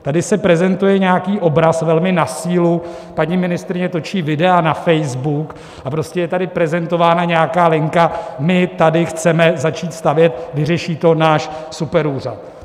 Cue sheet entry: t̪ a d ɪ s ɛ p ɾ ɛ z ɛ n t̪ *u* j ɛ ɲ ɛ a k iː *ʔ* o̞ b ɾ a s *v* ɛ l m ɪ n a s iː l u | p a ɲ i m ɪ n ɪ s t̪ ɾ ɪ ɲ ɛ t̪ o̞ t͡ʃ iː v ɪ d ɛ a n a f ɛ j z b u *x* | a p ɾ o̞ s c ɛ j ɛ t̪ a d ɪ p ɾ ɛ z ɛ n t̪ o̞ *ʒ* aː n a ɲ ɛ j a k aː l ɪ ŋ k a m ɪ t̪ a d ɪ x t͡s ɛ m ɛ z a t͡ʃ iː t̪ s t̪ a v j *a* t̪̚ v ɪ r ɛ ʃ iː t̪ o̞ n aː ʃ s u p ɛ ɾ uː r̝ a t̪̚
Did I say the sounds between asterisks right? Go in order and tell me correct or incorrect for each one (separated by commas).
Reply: correct, correct, correct, incorrect, incorrect, incorrect